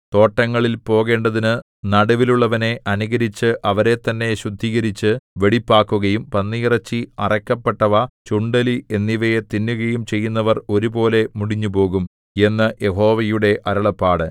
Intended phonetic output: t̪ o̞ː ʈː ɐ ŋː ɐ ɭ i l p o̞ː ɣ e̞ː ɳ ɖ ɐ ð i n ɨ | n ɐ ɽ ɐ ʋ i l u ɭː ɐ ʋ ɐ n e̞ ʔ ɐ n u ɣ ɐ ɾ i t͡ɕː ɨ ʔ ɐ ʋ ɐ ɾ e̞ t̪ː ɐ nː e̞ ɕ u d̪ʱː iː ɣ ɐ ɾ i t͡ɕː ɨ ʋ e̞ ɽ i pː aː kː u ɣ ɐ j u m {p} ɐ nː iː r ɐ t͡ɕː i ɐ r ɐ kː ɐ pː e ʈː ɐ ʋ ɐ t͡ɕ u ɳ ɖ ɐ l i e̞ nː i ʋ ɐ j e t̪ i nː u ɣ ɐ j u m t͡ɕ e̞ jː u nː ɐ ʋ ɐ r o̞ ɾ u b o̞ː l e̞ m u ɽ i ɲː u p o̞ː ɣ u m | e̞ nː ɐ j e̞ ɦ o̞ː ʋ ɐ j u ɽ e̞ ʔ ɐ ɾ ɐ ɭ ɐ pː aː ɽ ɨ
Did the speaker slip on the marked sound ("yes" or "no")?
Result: no